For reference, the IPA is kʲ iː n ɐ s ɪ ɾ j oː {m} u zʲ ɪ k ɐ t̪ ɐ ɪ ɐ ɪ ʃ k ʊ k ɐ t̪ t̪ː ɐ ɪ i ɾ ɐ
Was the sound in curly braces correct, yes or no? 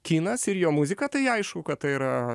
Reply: yes